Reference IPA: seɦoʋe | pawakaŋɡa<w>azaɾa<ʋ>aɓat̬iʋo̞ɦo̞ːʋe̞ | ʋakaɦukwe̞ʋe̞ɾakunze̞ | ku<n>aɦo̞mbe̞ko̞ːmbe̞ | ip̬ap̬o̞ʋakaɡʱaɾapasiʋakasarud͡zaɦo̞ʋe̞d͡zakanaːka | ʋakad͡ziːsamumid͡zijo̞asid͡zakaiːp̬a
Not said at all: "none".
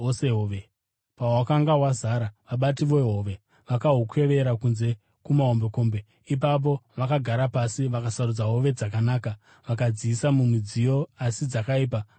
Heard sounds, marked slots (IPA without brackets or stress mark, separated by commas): w, ʋ, m